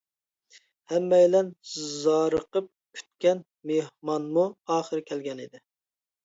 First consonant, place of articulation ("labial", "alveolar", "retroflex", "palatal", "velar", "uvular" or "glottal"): glottal